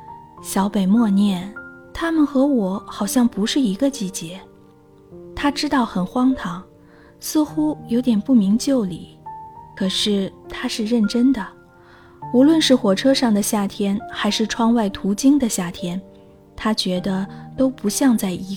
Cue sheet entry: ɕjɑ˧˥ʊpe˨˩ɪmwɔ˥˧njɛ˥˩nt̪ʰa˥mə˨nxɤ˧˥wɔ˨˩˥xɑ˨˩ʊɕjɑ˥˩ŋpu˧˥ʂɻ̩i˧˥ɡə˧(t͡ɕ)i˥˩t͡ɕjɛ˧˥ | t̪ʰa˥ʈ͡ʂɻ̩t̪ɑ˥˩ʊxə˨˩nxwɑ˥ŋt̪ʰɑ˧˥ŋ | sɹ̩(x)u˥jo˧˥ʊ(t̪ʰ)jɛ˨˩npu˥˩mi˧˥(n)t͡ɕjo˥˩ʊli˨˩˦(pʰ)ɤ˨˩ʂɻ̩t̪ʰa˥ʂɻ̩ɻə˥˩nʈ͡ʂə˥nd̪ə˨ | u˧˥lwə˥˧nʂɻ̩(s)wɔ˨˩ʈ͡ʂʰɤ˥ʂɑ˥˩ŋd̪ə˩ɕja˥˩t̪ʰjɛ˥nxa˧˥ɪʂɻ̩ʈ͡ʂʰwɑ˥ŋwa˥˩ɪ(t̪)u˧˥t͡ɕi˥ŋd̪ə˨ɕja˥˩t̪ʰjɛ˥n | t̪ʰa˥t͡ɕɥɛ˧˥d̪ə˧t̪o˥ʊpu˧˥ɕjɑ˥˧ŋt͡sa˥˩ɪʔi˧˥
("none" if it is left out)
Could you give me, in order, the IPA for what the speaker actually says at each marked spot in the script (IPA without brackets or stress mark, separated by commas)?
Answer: t͡ɕ, x, t̪, ŋ, kʰ, x, t̪ʰ